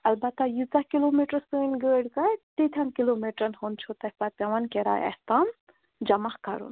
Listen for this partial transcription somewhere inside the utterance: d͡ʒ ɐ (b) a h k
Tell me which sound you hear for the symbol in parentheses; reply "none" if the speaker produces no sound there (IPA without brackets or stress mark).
m